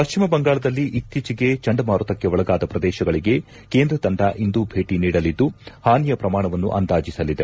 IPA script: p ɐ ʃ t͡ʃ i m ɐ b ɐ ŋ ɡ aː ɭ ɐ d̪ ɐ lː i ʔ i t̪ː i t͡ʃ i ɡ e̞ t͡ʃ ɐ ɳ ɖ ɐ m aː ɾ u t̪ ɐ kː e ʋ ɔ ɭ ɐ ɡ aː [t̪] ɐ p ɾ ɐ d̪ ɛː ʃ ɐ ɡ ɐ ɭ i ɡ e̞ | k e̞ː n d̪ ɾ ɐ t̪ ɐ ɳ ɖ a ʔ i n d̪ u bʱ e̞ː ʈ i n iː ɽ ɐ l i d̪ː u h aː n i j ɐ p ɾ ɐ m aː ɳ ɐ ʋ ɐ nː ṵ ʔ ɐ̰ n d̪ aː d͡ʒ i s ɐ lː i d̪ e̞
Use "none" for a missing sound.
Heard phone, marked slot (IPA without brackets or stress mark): d̪